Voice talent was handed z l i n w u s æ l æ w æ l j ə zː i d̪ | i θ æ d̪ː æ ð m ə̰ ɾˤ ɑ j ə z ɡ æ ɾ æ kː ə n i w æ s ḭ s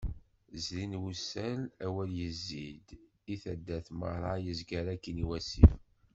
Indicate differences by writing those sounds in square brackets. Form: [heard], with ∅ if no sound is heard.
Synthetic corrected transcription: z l i n w u s æ l æ w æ l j ə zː i d̪ | i θ æ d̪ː æ [θ] m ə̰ ɾˤ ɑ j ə z ɡ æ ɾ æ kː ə n i w æ s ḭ [f]